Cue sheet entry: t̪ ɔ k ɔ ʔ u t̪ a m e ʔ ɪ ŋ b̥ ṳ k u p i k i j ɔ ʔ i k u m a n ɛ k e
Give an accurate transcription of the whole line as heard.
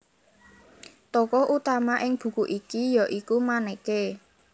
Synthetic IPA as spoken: t̪ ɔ k ɔ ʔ u t̪ a m a ʔ ɪ ŋ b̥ ṳ k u ʔ i k i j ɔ ʔ i k u m a n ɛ k e